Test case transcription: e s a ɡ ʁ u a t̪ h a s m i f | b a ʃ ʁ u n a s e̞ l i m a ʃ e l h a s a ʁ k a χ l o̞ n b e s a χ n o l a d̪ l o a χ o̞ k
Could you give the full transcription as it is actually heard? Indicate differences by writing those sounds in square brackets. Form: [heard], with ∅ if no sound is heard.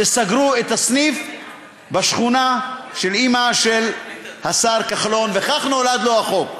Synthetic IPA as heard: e s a ɡ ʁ u [e] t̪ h a s [n] i f | b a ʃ [χ] u n a [ʃ] e̞ l i m a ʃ e l h a s a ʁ k a χ l o̞ n [v] e [χ] a χ n o l a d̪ l o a χ o̞ k